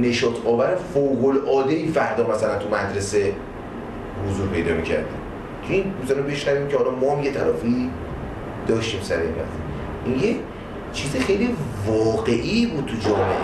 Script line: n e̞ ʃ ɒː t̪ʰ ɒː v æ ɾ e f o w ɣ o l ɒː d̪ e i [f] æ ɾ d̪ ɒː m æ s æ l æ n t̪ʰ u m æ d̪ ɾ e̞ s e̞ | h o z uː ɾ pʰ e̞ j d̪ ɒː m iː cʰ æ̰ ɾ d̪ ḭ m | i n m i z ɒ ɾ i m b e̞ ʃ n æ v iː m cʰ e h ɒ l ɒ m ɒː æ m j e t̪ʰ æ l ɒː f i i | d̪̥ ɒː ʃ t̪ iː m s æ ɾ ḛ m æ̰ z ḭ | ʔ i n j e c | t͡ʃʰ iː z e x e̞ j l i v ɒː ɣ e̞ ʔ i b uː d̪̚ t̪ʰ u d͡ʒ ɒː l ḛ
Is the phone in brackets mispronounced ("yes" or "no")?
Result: no